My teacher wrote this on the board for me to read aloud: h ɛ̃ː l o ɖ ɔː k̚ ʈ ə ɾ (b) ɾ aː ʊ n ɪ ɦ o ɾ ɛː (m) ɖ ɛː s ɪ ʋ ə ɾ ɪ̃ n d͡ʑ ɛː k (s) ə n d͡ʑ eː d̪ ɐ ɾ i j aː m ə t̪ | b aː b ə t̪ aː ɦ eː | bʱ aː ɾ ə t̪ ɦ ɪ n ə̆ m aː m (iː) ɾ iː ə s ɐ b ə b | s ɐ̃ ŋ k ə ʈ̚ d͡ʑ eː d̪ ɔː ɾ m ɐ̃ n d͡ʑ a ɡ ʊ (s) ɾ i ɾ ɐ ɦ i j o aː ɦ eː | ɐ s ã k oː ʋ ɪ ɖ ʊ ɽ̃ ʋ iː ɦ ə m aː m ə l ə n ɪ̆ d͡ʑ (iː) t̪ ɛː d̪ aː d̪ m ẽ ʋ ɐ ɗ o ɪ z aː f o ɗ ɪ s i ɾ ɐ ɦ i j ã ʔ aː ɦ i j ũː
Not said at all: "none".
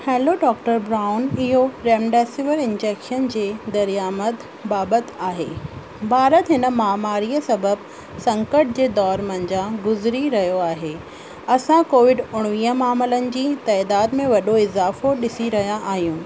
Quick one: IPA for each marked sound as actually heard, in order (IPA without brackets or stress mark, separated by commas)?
b, m, ʃ, aː, z, iː